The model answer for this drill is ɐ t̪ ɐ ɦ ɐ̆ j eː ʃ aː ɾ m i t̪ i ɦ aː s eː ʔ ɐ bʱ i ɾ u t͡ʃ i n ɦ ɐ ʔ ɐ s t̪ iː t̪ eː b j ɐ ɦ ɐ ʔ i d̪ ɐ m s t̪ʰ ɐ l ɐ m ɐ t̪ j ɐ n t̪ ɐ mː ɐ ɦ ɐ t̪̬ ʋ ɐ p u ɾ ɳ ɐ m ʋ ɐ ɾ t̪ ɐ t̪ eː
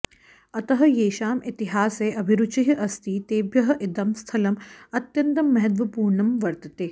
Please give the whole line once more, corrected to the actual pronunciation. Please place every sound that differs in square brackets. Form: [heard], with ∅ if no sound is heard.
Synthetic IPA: ɐ t̪ ɐ ɦ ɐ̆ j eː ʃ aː [∅] m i t̪ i ɦ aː s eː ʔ ɐ bʱ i ɾ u t͡ʃ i [∅] ɦ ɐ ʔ ɐ s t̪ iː t̪ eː b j ɐ ɦ ɐ ʔ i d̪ ɐ m s t̪ʰ ɐ l ɐ m ɐ t̪ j ɐ n t̪ ɐ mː ɐ ɦ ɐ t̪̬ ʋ ɐ p [uː] ɾ ɳ ɐ m ʋ ɐ ɾ t̪ ɐ t̪ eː